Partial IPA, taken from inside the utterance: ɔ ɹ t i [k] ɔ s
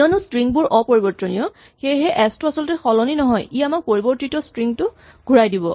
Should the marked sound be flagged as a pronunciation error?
yes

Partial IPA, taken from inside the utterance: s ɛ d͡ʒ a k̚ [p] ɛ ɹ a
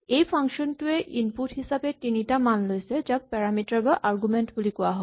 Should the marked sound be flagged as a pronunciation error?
no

